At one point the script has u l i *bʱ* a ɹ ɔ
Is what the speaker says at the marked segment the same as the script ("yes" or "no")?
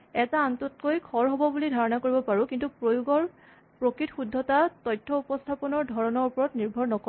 no